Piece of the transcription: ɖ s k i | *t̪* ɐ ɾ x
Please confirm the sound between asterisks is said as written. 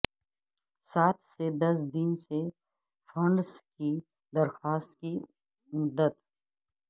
no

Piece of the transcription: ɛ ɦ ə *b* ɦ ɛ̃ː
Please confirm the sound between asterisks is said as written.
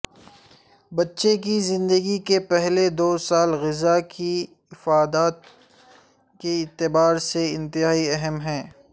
no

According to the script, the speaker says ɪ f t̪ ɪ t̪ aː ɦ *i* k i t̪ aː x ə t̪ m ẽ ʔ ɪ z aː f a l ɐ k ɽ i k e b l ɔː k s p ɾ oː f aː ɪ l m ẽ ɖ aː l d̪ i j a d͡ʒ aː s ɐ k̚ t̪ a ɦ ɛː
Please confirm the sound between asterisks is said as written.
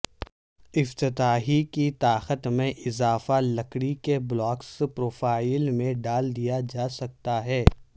yes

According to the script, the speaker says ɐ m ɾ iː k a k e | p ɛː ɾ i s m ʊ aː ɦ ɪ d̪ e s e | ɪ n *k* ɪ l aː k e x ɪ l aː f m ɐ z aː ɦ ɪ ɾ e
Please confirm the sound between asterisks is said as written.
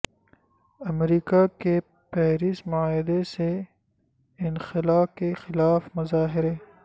no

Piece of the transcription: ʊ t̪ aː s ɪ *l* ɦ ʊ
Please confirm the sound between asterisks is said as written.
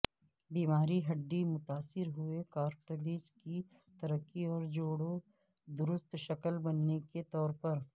no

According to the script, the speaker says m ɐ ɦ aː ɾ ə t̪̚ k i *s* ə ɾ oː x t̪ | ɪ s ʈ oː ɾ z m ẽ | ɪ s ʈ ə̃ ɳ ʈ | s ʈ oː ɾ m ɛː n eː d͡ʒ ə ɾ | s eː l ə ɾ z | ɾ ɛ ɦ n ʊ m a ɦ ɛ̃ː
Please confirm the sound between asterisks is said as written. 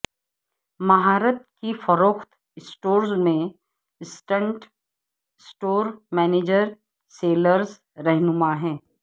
no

